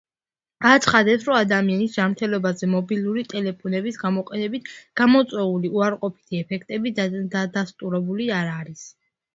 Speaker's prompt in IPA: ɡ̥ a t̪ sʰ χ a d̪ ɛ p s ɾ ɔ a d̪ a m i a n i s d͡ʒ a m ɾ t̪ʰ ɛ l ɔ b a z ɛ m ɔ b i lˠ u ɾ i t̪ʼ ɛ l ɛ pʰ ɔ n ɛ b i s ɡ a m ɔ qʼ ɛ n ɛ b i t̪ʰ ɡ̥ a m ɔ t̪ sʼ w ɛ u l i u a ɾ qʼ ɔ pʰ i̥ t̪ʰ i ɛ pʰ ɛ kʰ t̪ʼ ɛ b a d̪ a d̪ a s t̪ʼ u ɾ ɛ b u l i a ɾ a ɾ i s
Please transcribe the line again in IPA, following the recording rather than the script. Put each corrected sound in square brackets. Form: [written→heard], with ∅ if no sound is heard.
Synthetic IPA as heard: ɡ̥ a t̪ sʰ χ a d̪ ɛ p s ɾ ɔ a d̪ a m i a n i s d͡ʒ a m ɾ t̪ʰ ɛ l ɔ b a z ɛ m ɔ b i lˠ u ɾ i t̪ʼ ɛ l ɛ pʰ ɔ n ɛ b i s ɡ a m ɔ qʼ ɛ n ɛ b i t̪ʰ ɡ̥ a m ɔ t̪ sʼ w ɛ u l i u a ɾ qʼ ɔ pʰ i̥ t̪ʰ i ɛ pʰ ɛ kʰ t̪ʼ ɛ b [a→i] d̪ a d̪ a s t̪ʼ u ɾ ɛ b u l i a ɾ a ɾ i s